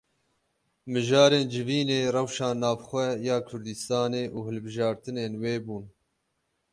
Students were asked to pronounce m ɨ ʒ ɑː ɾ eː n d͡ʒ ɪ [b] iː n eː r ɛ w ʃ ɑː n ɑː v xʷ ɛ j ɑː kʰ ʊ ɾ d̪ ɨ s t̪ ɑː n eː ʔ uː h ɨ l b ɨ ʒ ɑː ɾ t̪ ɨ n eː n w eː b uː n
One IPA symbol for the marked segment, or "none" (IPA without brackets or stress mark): v